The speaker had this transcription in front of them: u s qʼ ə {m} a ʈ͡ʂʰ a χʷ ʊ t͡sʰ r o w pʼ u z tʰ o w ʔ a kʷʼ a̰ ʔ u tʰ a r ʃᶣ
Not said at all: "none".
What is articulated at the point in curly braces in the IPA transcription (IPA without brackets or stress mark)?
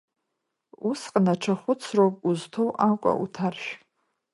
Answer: n